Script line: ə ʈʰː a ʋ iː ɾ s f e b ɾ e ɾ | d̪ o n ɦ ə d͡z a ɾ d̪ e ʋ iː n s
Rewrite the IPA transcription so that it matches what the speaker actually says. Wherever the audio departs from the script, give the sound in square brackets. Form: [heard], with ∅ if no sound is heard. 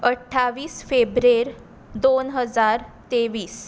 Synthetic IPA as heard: ə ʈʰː a ʋ iː [∅] s f e b ɾ e ɾ | d̪ o n ɦ ə d͡z a ɾ [t̪] e ʋ iː [∅] s